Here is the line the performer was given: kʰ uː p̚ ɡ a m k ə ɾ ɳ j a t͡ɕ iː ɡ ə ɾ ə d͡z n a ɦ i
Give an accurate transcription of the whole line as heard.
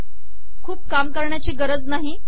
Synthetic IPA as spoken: kʰ uː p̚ k a m k ə ɾ ɳ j a t͡ɕ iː ɡ ə ɾ ə d͡z n a ɦ i